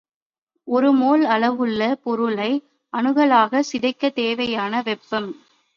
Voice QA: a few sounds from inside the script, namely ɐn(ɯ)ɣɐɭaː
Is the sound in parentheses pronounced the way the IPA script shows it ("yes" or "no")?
yes